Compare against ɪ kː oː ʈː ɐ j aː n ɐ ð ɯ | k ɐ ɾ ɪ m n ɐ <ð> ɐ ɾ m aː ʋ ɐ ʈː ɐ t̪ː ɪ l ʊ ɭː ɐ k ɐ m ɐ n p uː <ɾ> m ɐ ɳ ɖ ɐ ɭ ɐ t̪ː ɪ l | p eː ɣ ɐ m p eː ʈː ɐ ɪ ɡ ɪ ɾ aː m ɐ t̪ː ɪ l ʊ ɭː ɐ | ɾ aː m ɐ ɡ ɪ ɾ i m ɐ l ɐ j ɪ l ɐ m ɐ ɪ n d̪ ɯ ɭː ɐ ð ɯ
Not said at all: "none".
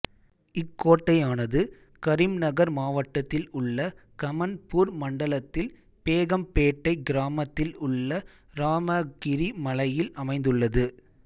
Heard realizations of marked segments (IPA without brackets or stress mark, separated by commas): ɣ, ɾ